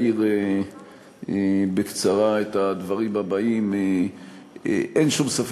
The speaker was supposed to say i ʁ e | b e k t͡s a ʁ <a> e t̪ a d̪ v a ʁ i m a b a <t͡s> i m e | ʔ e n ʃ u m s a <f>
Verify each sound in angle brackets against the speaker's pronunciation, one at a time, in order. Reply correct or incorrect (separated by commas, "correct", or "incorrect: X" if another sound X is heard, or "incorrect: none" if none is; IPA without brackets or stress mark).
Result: correct, incorrect: none, correct